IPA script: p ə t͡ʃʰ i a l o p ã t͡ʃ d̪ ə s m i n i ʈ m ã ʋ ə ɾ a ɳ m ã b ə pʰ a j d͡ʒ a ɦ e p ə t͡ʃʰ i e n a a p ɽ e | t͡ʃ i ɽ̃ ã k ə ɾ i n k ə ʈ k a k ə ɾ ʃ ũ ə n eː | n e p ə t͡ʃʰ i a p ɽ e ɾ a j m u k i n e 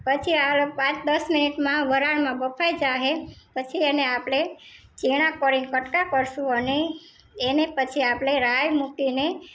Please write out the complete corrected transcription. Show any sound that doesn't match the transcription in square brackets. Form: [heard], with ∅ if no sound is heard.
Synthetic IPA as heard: p ə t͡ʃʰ i a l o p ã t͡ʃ d̪ ə s m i n i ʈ m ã ʋ ə ɾ a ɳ m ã b ə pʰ a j d͡ʒ a ɦ e p ə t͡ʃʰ i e n [e] a p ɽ e | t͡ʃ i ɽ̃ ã k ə ɾ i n k ə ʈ k a k ə ɾ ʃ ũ ə n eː | n e p ə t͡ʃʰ i a p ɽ e ɾ a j m u k i n e